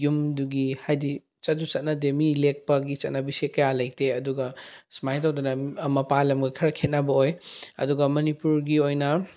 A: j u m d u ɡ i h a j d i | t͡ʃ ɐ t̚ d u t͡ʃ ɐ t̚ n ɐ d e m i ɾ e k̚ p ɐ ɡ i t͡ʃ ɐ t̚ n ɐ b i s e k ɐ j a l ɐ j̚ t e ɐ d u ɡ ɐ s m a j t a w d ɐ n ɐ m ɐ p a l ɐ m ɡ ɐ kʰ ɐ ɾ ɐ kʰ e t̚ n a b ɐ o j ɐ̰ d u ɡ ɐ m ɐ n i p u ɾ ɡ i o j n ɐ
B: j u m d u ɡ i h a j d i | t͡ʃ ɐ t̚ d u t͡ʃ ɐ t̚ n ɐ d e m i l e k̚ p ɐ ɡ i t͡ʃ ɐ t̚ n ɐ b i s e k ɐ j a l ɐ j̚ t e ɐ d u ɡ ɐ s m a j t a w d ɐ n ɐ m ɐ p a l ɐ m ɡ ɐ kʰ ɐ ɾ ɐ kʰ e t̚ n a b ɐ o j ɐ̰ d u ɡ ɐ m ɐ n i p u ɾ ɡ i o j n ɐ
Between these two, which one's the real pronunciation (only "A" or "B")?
B